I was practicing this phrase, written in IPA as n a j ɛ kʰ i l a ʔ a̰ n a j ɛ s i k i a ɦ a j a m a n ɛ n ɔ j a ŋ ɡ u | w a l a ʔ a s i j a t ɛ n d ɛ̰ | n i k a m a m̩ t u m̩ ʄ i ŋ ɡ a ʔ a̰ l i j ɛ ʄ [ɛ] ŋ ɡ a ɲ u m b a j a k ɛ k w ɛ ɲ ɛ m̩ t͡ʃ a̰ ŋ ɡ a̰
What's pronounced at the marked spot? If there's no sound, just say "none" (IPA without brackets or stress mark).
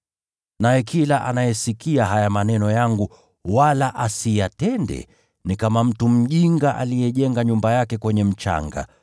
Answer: ɛ